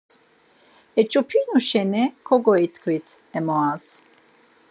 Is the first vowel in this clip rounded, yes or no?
no